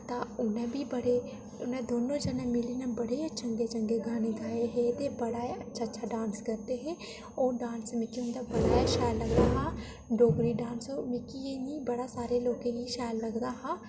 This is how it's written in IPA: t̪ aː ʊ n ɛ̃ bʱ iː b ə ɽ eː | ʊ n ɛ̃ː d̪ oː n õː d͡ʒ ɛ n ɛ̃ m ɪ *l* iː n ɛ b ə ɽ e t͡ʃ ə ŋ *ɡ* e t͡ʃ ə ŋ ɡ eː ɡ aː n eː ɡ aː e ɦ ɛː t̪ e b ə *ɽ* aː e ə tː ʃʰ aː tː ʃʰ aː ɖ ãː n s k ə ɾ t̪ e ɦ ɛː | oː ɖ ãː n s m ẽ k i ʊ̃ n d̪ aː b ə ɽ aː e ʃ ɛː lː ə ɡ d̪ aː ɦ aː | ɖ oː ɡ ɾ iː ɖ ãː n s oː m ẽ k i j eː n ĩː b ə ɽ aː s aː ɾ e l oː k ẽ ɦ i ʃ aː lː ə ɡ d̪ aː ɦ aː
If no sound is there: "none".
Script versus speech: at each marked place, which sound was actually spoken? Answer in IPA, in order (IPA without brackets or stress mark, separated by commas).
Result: l, ɡ, ɽ